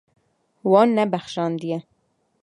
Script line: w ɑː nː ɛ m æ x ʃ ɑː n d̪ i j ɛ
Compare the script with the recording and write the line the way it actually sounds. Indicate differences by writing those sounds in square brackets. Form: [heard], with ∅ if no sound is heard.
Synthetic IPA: w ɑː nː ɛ [b] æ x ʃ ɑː n d̪ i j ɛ